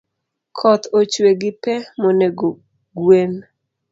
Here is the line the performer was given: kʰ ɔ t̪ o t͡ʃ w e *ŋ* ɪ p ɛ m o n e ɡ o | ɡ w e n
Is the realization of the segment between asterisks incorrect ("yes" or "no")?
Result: yes